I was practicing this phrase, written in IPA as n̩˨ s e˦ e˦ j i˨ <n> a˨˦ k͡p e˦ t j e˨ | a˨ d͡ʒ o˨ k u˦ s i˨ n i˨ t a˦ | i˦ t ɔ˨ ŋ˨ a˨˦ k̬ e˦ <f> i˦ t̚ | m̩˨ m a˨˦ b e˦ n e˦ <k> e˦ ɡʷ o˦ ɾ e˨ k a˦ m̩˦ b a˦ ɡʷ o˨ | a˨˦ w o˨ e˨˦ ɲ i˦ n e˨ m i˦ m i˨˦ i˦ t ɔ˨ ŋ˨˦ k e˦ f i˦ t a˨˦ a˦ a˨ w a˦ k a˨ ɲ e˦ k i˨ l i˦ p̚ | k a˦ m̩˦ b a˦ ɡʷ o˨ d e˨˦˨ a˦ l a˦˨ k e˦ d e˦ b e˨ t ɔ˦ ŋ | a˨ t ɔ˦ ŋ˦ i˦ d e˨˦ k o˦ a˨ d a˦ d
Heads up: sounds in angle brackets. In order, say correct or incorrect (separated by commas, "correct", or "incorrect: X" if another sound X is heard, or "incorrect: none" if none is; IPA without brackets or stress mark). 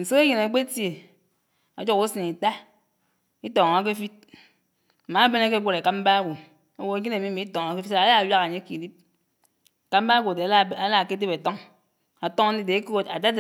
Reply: correct, correct, correct